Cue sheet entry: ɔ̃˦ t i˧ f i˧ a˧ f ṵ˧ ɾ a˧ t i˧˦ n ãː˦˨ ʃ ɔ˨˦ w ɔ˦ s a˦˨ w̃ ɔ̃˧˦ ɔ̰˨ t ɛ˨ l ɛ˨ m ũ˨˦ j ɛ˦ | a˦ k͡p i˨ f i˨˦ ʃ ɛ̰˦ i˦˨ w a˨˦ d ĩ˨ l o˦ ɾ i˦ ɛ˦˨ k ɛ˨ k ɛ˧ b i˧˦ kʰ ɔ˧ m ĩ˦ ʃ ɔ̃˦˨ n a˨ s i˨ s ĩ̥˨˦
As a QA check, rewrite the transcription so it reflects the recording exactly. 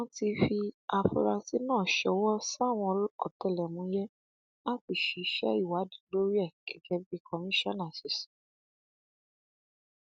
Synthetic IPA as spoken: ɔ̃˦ t i˧ f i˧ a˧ f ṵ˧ ɾ a˧ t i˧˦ n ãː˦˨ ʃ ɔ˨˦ w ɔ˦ s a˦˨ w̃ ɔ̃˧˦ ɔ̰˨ t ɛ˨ l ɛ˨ m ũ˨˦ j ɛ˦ | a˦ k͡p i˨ ʃ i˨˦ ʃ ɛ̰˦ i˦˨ w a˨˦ d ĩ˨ l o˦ ɾ i˦ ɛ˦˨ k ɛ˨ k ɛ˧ b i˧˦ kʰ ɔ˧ m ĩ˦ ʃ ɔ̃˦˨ n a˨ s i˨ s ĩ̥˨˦